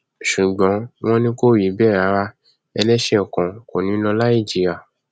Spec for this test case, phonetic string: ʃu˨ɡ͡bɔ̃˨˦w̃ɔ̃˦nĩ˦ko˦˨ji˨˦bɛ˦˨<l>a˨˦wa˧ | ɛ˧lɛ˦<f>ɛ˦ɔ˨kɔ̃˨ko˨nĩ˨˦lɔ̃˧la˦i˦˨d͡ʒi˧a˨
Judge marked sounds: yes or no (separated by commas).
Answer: no, no